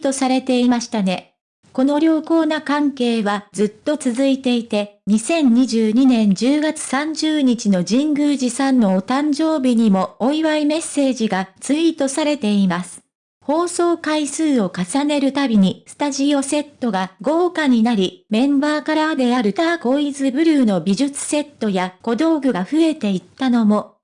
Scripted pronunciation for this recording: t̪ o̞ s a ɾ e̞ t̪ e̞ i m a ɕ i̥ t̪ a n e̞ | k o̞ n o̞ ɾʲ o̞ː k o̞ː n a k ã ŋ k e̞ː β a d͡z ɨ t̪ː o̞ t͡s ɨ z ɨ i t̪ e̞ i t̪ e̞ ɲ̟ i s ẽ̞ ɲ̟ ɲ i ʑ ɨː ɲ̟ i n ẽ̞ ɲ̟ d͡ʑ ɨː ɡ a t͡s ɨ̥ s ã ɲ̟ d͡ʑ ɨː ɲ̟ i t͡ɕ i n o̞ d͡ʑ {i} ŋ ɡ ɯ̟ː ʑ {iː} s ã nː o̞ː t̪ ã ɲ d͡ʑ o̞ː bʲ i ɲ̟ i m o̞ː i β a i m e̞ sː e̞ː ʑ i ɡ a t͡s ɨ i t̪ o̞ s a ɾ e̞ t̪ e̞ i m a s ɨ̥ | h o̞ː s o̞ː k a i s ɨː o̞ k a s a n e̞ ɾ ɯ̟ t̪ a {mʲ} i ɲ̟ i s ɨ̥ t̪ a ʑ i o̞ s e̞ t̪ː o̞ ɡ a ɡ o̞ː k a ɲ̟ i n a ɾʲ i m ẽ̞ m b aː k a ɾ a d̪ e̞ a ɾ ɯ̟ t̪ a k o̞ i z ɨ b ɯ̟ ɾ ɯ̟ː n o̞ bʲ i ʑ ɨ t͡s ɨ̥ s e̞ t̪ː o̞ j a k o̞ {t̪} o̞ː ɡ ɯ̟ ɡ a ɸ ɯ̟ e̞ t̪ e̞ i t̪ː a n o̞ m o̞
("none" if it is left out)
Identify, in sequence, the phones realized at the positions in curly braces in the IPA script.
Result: ĩ, i, bʲ, d̪

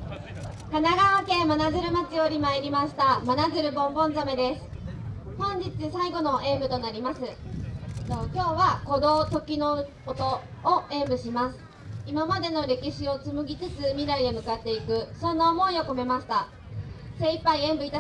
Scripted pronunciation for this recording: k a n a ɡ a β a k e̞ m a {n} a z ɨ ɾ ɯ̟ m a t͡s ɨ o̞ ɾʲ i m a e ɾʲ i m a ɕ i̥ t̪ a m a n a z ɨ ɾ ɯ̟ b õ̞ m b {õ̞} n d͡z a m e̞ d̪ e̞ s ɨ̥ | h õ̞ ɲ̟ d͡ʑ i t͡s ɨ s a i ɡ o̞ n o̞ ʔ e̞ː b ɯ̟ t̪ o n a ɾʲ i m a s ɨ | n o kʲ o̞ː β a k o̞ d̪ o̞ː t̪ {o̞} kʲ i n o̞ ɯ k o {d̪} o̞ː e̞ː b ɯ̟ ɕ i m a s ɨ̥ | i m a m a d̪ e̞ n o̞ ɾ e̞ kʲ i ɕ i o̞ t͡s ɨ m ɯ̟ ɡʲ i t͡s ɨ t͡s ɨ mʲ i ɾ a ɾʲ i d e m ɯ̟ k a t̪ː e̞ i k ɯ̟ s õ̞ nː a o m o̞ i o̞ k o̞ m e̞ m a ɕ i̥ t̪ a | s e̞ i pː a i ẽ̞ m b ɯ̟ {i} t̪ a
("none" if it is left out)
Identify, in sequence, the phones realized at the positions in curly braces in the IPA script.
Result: n, õ̞, o̞, t̪, i

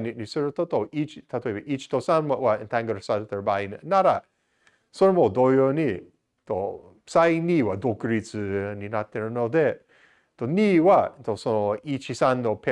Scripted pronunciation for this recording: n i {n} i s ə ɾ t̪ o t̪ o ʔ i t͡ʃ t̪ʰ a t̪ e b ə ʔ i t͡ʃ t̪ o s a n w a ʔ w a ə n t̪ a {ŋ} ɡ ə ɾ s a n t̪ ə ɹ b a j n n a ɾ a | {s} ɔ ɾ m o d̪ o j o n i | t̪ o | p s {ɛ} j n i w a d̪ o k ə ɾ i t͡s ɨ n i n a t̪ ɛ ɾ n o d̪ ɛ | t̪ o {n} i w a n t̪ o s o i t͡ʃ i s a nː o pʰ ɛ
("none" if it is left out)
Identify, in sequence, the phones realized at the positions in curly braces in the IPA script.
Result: n, ŋ, s, a, n

